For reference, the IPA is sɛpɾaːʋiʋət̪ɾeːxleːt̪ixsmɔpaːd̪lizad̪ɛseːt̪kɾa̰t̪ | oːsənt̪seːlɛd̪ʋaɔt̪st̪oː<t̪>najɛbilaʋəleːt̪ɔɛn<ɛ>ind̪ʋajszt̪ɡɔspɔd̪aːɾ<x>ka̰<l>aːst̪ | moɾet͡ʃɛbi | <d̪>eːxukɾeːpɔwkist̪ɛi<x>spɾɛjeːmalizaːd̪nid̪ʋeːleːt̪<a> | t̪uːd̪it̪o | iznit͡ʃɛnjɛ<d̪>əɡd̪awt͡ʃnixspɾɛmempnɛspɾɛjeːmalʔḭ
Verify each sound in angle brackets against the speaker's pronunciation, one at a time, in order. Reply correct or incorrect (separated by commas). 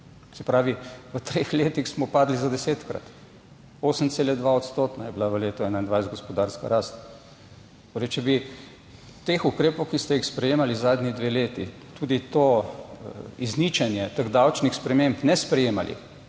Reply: correct, incorrect, incorrect, incorrect, incorrect, correct, incorrect, incorrect